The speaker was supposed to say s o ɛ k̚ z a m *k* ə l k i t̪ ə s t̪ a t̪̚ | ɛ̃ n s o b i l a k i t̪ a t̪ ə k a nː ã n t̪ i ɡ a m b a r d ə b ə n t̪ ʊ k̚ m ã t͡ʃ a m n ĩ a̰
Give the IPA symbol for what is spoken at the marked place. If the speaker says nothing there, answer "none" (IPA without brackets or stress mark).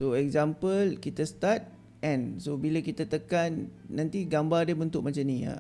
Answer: p